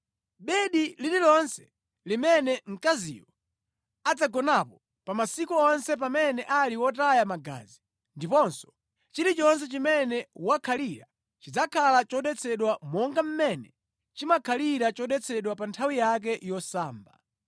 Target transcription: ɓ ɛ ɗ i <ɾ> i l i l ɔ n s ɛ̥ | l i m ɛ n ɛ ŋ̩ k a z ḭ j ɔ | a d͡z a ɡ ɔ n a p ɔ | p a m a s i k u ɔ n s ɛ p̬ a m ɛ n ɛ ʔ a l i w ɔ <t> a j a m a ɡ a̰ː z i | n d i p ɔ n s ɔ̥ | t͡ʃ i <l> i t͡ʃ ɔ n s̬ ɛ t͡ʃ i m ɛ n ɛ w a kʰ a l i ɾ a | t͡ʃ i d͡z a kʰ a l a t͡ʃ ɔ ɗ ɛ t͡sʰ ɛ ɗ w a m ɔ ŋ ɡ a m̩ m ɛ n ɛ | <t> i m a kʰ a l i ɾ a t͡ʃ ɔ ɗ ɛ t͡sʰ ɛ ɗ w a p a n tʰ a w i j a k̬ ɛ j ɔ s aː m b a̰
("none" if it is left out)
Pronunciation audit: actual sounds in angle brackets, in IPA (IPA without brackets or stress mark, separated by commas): l, t, ɾ, t͡ʃ